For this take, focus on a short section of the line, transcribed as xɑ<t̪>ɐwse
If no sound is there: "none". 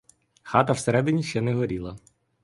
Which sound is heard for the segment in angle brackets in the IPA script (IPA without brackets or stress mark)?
t̪